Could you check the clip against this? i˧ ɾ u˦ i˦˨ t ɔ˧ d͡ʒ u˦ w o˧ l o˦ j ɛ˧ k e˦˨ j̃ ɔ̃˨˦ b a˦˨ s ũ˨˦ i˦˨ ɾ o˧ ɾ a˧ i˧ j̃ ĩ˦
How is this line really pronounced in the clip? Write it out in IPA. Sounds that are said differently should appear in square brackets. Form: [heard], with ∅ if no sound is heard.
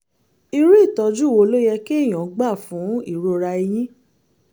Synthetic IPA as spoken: i˧ ɾ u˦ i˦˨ t ɔ˧ d͡ʒ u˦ w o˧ l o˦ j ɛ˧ k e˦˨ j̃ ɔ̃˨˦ [ɡ͡b] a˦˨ [f] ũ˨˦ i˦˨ ɾ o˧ ɾ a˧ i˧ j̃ ĩ˦